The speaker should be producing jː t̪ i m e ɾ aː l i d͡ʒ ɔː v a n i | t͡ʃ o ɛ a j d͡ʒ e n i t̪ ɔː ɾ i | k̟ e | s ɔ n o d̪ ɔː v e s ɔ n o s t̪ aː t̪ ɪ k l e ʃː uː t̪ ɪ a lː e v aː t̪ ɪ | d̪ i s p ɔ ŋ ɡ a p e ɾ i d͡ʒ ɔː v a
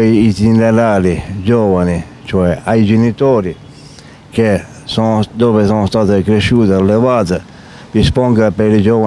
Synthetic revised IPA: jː t̪ i n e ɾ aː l i d͡ʒ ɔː v a n i | t͡ʃ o ɛ a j d͡ʒ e n i t̪ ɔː ɾ i | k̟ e | s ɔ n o d̪ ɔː v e s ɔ n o s t̪ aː t̪ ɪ k ɾ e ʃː uː t̪ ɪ a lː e v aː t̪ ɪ | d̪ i s p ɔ ŋ ɡ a p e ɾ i d͡ʒ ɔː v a